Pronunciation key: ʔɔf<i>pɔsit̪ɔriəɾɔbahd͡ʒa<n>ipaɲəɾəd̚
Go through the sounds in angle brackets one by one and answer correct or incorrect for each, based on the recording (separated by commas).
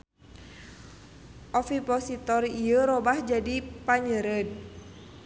correct, incorrect